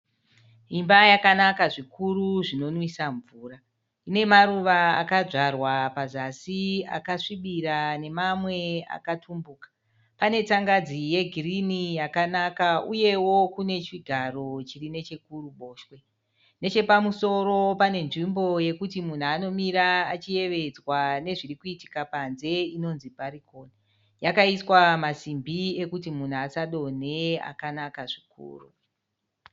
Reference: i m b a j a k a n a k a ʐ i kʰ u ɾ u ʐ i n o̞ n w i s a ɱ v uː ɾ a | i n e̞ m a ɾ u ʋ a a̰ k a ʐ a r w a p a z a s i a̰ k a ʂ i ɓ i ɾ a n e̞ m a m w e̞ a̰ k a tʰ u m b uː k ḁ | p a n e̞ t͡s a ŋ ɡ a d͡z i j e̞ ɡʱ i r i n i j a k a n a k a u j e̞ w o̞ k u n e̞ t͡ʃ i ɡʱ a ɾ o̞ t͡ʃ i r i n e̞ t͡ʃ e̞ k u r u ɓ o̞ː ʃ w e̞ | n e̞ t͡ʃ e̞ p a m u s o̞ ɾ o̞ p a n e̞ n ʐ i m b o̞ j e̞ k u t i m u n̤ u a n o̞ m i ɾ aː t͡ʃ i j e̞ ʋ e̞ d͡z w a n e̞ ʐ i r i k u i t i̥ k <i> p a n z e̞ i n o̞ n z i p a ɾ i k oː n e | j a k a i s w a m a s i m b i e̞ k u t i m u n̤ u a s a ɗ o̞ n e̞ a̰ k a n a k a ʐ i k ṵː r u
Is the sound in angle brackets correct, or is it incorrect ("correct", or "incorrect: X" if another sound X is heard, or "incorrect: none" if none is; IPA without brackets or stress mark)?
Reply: incorrect: a